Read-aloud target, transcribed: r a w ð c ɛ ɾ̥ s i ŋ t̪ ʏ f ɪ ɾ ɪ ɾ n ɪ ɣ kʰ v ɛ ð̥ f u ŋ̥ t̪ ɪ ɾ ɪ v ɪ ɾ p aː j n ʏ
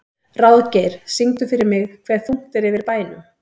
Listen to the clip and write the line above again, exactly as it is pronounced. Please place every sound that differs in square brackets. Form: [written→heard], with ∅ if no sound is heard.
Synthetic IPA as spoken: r a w ð c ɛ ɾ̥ s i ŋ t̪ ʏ f ɪ ɾ ɪ ɾ [n→m] ɪ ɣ kʰ v ɛ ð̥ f u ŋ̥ t̪ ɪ ɾ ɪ v ɪ ɾ p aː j n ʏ

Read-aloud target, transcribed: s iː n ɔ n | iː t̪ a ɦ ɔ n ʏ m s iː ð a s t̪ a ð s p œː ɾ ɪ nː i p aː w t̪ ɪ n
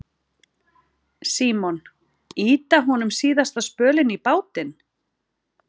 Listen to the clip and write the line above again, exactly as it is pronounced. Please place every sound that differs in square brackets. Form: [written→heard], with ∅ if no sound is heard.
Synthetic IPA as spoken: s iː [n→m] ɔ n | iː t̪ a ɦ ɔ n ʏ m s iː ð a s t̪ a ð s p œː [ɾ→l] ɪ [nː→n] i p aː w t̪ ɪ n

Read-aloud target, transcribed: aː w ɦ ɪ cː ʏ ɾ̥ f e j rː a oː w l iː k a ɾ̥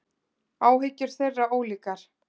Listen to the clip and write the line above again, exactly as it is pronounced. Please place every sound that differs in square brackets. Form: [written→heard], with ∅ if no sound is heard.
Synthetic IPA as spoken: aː w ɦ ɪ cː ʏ ɾ̥ [f→θ] e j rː a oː w l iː k a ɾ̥

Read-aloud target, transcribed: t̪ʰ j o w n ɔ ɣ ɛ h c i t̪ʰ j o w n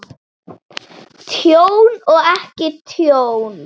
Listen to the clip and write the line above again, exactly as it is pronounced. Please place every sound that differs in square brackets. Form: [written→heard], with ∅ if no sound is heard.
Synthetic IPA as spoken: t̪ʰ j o w n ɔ ɣ ɛ h c [i→ɪ] t̪ʰ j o w n

